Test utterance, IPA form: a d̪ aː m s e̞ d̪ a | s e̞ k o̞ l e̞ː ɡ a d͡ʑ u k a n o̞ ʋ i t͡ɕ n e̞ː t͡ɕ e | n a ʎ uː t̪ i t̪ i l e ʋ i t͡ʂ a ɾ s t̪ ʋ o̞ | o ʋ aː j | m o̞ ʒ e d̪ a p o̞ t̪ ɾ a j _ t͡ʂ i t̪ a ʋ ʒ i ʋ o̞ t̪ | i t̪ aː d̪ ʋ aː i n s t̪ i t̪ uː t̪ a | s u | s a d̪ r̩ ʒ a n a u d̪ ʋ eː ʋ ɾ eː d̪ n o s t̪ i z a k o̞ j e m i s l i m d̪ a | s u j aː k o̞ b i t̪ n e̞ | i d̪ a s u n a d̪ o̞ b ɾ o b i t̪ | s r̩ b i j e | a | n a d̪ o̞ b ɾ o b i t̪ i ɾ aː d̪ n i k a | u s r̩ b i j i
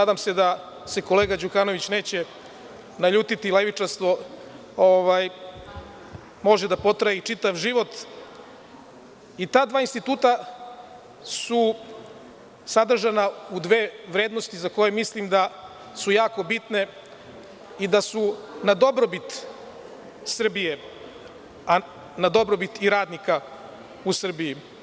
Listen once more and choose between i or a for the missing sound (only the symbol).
i